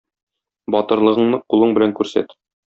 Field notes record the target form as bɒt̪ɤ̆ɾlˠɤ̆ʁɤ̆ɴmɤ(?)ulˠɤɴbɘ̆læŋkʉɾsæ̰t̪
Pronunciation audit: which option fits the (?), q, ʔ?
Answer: q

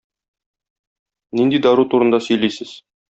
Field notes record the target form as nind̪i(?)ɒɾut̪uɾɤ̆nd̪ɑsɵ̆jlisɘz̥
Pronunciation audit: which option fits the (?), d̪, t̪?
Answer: d̪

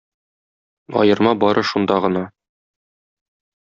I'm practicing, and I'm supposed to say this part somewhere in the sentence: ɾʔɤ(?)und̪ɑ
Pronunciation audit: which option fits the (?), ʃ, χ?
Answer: ʃ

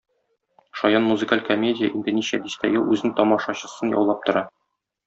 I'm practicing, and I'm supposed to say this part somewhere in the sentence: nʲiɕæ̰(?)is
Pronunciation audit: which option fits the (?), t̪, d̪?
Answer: d̪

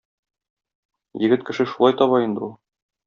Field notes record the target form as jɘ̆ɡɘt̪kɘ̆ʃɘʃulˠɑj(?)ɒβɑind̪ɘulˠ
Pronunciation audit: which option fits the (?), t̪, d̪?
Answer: t̪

